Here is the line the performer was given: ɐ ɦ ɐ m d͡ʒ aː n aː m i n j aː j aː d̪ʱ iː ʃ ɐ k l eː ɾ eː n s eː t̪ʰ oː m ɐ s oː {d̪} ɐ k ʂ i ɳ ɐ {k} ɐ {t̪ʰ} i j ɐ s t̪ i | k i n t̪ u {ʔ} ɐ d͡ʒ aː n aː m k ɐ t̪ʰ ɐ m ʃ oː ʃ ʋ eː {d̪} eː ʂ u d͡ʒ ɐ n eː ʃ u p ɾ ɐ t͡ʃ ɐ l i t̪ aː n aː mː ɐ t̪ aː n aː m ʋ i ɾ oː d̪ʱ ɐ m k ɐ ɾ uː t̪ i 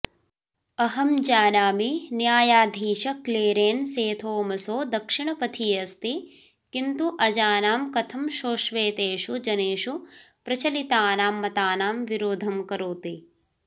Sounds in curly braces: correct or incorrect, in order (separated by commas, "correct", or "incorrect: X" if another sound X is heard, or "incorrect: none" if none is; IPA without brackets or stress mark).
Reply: correct, incorrect: p, correct, correct, incorrect: t̪